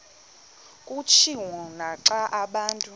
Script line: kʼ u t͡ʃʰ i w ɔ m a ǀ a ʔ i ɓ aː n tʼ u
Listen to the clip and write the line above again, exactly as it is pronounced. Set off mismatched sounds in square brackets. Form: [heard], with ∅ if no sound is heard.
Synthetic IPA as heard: kʼ u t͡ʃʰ i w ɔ [n] a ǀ a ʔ [a] ɓ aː n tʼ u